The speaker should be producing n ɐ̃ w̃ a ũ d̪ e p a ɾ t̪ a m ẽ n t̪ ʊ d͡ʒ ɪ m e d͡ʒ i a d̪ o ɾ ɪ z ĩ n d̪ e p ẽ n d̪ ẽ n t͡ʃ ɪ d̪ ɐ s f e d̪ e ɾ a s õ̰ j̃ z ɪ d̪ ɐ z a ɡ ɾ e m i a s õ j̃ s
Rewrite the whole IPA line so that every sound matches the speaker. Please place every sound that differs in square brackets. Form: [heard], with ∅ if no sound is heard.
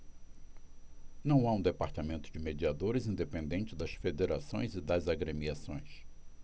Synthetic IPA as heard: n ɐ̃ w̃ a ũ d̪ e p a ɾ t̪ a m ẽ n t̪ ʊ d͡ʒ ɪ m e d͡ʒ i a d̪ o ɾ ɪ z ĩ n d̪ e p ẽ n d̪ ẽ n t͡ʃ ɪ d̪ ɐ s f e d̪ e ɾ a s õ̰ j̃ z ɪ d̪ ɐ z a ɡ ɾ e m i a s õ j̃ s